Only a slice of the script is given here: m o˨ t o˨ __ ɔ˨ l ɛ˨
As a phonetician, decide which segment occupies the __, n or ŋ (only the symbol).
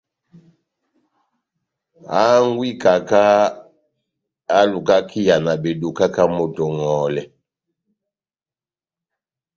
ŋ